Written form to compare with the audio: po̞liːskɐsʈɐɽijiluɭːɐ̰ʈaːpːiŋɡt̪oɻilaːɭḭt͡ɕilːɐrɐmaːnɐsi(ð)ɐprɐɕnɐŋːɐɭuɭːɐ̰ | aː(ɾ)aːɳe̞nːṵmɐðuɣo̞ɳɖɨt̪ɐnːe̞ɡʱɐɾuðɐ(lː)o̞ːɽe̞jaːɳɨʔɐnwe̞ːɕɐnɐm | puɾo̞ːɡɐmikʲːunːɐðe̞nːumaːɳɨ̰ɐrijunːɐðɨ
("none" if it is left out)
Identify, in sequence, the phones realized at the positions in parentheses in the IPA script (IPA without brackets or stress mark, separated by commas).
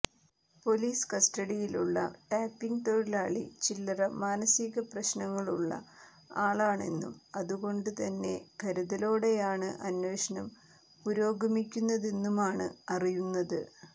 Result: ɣ, ɭ, l